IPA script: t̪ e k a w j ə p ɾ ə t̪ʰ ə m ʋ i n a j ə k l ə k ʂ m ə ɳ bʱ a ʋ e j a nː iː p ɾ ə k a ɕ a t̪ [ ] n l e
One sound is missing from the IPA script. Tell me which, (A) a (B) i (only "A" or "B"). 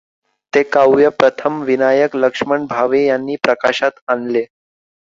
A